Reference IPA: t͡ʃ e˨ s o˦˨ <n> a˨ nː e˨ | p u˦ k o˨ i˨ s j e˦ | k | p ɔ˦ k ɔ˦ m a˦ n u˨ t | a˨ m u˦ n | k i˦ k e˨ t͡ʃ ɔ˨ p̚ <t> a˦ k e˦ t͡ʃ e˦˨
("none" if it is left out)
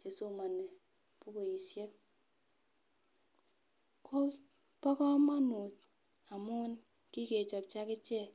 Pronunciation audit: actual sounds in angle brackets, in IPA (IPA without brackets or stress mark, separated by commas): m, t͡ʃ